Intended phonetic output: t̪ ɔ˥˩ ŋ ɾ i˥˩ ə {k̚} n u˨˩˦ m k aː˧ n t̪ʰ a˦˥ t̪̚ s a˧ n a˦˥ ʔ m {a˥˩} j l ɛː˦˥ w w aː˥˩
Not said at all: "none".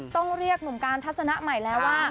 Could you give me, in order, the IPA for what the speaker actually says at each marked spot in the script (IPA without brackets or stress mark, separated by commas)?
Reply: k̚, a˨˩